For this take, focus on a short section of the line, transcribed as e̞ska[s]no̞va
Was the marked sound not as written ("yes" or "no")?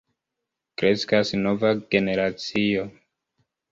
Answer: no